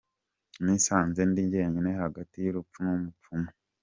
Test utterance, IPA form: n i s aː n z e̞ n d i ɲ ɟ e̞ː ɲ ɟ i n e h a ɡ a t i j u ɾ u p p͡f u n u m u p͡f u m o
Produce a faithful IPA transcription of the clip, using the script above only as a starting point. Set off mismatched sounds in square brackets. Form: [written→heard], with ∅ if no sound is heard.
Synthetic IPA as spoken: n i s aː n z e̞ n d i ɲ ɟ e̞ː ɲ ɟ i n e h a ɡ a t i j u ɾ u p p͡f u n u m u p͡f u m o